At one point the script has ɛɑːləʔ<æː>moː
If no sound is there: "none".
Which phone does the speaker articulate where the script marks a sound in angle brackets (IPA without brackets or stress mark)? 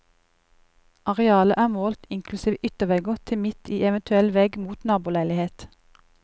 æː